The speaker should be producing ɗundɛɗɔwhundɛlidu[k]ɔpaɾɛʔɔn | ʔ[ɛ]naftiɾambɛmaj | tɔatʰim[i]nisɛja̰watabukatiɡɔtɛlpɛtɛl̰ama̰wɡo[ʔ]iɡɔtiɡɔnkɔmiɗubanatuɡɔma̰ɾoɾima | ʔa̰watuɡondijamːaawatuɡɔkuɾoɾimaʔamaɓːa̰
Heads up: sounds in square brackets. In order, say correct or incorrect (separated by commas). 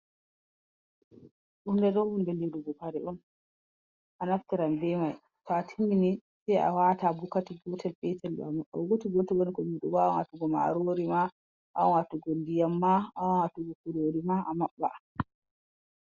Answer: incorrect, incorrect, correct, incorrect